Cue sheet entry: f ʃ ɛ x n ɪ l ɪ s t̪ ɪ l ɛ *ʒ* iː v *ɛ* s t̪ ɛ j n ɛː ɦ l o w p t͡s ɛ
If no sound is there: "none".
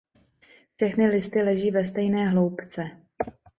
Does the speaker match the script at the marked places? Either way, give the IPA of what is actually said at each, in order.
ʒ, ɛ

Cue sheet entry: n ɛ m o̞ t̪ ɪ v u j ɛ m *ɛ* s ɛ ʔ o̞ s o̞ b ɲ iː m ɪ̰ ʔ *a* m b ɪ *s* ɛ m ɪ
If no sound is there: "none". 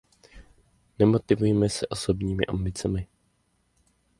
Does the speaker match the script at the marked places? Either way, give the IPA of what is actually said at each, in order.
ɛ, a, t͡s

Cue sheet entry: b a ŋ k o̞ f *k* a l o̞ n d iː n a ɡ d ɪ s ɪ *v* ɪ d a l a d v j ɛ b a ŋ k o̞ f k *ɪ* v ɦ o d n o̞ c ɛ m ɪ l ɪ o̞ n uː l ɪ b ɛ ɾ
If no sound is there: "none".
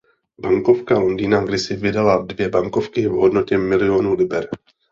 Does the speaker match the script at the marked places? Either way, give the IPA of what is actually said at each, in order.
k, v, ɪ

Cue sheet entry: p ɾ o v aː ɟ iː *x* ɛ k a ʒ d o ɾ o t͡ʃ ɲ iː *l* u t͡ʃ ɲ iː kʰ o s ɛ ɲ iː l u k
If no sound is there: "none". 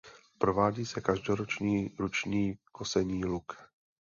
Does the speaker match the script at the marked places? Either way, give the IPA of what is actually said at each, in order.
s, ɾ

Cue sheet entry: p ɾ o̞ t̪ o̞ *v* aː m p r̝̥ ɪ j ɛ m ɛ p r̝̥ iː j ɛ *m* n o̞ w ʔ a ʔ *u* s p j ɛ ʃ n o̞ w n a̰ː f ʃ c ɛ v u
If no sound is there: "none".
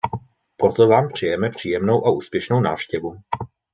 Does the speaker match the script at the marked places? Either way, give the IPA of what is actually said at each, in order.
v, m, uː

